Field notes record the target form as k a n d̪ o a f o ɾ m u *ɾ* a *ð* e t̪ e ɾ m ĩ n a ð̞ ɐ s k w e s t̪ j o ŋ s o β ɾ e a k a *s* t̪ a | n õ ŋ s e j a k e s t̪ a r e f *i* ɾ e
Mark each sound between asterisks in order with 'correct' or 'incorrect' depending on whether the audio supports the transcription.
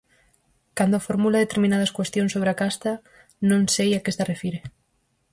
incorrect: l, correct, correct, correct

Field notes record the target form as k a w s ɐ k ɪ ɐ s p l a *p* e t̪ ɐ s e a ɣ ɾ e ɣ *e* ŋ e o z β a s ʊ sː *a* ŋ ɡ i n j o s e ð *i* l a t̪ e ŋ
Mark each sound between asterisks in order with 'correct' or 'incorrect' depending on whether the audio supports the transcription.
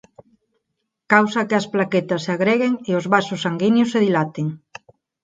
incorrect: k, correct, correct, correct

